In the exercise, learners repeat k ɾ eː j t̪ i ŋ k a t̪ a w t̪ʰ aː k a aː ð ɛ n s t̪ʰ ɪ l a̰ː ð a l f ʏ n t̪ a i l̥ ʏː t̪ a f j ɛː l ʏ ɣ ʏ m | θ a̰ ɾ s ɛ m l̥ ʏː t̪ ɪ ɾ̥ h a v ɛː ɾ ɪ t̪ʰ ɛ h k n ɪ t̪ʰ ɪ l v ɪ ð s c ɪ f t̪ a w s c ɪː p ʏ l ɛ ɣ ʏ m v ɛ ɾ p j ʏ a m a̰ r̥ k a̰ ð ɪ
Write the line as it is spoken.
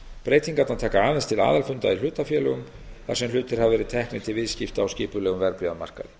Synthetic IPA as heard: p ɾ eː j t̪ i ŋ k a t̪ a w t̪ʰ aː k a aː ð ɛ n s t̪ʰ ɪ l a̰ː ð a l f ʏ n t̪ a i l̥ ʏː t̪ a f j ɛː l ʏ ɣ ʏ m | θ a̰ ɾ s ɛ m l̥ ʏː t̪ ɪ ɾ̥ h a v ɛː ɾ ɪ t̪ʰ ɛ h k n ɪ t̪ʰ ɪ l v ɪ ð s c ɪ f t̪ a w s c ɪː p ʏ l ɛ ɣ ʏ m v ɛ ɾ p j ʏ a m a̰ r̥ k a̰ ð ɪ